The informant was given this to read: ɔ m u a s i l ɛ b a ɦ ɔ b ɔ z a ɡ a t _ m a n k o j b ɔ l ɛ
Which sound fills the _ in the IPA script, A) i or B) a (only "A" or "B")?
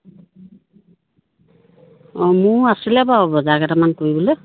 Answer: B